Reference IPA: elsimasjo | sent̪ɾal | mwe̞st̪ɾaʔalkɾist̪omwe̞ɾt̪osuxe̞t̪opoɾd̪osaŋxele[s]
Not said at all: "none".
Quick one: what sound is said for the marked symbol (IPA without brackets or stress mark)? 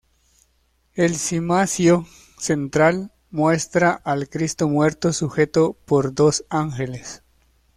s